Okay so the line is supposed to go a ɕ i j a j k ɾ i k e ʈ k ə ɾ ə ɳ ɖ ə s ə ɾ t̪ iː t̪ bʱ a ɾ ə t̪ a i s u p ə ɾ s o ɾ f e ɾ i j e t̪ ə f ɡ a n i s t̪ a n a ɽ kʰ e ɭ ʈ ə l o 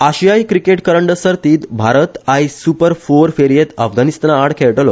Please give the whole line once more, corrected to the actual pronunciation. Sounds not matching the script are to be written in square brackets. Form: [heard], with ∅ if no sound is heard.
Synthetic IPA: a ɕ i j a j k ɾ i k e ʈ k ə ɾ ə ɳ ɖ ə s ə ɾ t̪ iː t̪ bʱ a ɾ ə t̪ a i s u p ə ɾ [f] o ɾ f e ɾ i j e t̪ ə f ɡ a n i s t̪ a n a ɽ kʰ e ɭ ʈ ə l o

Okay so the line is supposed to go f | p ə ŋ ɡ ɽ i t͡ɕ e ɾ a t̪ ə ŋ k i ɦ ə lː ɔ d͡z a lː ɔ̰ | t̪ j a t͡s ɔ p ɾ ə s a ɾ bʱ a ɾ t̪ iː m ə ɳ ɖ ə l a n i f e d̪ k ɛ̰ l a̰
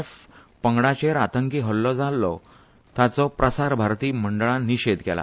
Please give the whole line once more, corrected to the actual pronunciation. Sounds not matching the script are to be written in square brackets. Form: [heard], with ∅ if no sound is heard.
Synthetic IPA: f | p ə ŋ ɡ ɽ [a] t͡ɕ e ɾ a t̪ ə ŋ k i ɦ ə lː ɔ d͡z a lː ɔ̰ | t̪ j a t͡s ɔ p ɾ ə s a ɾ bʱ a ɾ t̪ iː m ə ɳ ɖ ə [ɭ] a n i [ɕ] e d̪ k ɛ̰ l a̰

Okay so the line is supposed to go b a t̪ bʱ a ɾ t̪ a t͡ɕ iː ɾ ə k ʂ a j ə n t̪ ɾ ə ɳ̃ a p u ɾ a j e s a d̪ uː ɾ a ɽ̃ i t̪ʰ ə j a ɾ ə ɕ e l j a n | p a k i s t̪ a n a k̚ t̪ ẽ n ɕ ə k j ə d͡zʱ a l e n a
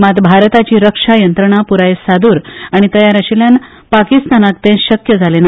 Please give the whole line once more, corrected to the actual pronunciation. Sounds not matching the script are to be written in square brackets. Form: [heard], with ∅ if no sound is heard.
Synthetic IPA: [m] a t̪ bʱ a ɾ t̪ a t͡ɕ iː ɾ ə k ʂ a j ə n t̪ ɾ ə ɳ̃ a p u ɾ a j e s a d̪ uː ɾ a ɽ̃ i [t̪] ə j a ɾ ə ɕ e l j a n | p a k i s t̪ a n a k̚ t̪ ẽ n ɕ ə k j ə d͡zʱ a l e n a

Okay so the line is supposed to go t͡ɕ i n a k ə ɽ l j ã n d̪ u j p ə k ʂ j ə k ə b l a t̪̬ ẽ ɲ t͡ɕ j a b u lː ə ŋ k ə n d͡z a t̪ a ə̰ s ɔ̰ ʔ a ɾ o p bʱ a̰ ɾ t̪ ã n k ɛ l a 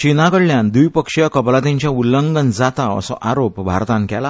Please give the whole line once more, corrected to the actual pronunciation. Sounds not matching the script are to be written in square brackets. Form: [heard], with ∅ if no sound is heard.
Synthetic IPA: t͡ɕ i n a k ə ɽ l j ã n d̪ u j p ə k ʂ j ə k ə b l a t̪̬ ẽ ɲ t͡ɕ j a [∅] u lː ə ŋ [ɡ] ə n d͡z a t̪ a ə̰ s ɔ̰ ʔ a ɾ o p bʱ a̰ ɾ t̪ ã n k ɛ l a

